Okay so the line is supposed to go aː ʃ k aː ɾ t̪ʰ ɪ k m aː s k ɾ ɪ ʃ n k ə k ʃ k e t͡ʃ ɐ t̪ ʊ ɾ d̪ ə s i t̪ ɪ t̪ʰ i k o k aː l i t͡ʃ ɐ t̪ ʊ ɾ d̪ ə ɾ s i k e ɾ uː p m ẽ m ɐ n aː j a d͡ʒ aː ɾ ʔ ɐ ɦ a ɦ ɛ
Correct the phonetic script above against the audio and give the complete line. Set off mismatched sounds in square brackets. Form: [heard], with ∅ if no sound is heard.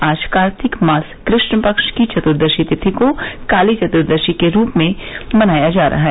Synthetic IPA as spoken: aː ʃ k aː ɾ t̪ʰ ɪ k m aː s k ɾ ɪ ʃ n [p] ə k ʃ k [i] t͡ʃ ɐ t̪ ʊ ɾ d̪ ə [ʃ] i t̪ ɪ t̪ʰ i k o k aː l i t͡ʃ ɐ t̪ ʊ ɾ d̪ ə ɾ [ʃ] i k e ɾ uː p m ẽ m ɐ n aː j a d͡ʒ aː ɾ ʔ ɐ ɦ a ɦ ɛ